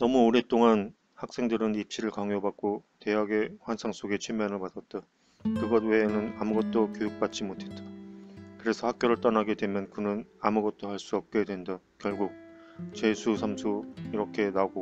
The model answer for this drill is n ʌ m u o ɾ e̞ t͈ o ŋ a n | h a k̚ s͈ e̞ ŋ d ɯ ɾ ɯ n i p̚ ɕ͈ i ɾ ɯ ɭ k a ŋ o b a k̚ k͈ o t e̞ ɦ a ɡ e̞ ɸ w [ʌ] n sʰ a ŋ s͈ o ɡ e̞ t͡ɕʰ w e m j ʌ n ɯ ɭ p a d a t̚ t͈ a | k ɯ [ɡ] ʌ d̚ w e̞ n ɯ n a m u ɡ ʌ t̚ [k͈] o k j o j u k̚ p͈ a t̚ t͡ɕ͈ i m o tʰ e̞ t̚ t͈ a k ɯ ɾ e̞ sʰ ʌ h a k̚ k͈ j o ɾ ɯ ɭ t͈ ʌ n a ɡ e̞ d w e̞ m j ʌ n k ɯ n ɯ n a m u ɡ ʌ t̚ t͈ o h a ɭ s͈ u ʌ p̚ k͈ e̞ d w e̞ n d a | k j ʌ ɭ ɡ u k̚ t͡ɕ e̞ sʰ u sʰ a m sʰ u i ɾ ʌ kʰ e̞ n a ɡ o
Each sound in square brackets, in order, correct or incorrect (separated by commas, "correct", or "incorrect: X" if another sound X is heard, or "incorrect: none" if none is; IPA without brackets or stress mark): incorrect: a, correct, incorrect: t͈